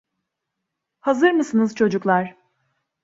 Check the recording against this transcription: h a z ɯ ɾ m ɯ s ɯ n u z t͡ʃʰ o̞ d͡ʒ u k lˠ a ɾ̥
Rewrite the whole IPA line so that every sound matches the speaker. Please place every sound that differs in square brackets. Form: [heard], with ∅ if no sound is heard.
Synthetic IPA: h a z ɯ ɾ m ɯ s ɯ n [ɯ] z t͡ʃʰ o̞ d͡ʒ u k lˠ a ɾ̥